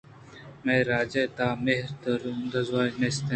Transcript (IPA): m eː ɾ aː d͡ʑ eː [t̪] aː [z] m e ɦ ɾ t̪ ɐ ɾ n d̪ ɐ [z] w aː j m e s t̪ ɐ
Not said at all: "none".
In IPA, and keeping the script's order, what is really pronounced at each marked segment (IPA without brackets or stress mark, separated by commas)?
t̪, none, z